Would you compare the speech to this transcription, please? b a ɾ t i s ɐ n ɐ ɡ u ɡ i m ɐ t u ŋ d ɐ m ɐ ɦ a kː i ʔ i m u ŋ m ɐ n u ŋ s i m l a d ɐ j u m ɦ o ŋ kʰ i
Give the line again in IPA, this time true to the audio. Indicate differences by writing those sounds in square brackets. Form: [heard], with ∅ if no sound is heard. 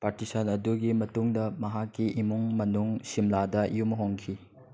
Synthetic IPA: [p] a ɾ t i s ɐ n ɐ [d] u ɡ i m ɐ t u ŋ d ɐ m ɐ ɦ a kː i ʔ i m u ŋ m ɐ n u ŋ s i m l a d ɐ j u m ɦ o ŋ kʰ i